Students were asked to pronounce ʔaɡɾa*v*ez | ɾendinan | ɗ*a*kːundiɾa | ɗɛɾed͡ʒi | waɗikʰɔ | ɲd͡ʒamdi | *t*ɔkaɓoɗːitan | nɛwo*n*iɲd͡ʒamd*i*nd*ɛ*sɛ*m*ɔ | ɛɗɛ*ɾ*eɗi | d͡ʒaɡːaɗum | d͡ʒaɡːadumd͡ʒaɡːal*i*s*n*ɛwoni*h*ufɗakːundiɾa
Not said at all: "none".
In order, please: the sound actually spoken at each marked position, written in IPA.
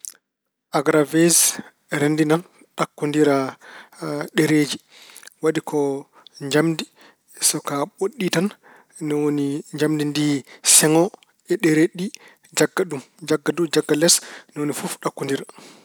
v, a, s, n, i, i, ŋ, ɾ, ɛ, n, f

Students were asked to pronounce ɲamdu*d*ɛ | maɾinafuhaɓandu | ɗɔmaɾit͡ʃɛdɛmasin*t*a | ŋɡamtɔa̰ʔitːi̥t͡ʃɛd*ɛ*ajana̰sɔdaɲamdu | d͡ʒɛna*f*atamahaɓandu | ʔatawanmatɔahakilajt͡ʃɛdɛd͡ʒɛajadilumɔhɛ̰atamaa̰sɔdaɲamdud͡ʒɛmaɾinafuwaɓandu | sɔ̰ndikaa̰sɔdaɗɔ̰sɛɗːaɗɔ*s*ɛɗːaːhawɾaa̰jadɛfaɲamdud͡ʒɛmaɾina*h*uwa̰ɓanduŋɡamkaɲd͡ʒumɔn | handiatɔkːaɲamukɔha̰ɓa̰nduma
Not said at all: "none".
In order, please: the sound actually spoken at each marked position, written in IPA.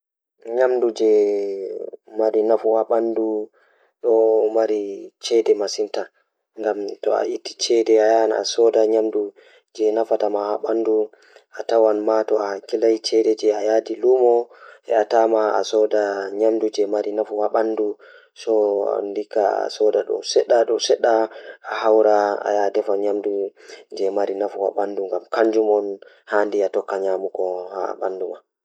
d͡ʒ, t, ɛ, f, s, f

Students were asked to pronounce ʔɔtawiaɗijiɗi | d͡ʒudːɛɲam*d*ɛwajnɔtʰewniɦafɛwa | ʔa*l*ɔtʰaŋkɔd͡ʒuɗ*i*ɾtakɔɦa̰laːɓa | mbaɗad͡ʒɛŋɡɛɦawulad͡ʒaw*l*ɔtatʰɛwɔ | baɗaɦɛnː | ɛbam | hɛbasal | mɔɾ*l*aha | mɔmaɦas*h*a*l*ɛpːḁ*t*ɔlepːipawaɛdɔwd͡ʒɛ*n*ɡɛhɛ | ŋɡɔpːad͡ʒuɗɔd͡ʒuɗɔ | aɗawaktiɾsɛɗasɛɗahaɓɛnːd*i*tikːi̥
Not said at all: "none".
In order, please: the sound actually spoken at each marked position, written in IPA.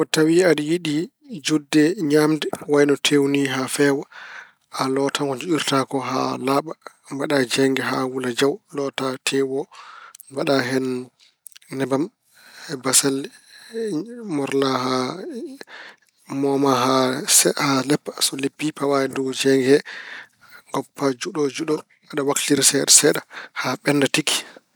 d, l, i, l, l, h, l, s, ŋ, a

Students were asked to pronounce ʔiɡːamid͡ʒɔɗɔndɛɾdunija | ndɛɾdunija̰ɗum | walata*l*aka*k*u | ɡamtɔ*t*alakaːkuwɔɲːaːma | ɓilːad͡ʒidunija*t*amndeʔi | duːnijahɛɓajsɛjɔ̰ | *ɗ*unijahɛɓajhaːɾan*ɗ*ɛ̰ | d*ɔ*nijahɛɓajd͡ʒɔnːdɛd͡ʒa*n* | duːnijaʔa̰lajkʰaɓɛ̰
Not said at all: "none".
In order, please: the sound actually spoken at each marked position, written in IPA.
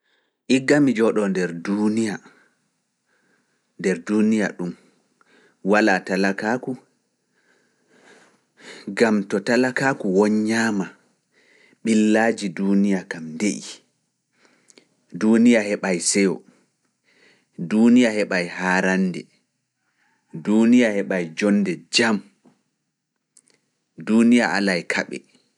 l, k, t, k, d, d, u, m

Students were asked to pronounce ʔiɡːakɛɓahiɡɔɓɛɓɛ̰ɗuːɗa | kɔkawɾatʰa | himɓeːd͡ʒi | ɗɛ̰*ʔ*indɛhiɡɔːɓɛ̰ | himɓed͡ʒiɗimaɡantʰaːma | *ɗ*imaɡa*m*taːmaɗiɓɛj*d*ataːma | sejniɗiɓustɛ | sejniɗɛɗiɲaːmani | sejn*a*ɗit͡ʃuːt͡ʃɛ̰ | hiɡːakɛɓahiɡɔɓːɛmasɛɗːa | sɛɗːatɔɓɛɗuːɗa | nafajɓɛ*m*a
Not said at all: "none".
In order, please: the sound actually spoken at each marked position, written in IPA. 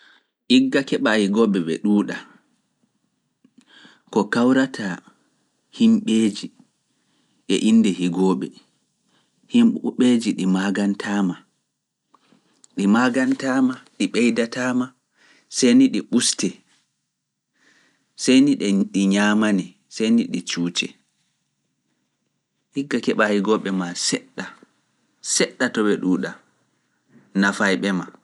ʔ, ɗ, n, d, i, m

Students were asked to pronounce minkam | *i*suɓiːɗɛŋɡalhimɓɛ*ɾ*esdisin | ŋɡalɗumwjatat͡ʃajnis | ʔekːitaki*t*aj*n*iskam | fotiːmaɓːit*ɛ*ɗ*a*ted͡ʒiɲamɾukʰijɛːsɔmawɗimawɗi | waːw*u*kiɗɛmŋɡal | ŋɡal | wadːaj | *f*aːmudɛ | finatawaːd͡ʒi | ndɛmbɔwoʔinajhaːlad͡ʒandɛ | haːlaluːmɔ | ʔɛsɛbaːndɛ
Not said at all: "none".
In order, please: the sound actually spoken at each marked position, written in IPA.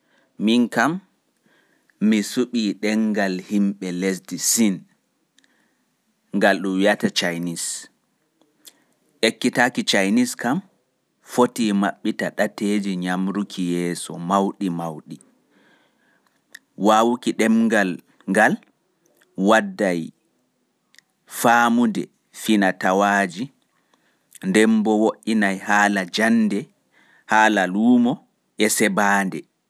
i, l, t͡ʃ, n, a, a, u, f

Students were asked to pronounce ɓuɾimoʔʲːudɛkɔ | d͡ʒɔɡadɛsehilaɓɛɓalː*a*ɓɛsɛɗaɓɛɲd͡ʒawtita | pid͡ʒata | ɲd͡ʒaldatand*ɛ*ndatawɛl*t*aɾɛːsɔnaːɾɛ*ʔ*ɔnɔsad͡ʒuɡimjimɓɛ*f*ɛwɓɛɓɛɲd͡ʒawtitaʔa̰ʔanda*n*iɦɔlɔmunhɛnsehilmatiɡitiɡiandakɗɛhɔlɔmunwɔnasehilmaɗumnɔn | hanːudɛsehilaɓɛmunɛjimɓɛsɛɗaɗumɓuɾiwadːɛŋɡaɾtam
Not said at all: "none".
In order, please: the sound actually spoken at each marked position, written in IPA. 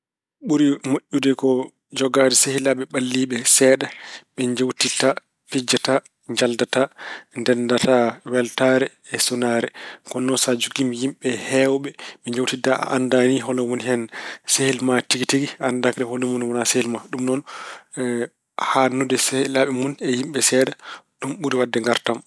i, ɛ, t, k, h, n

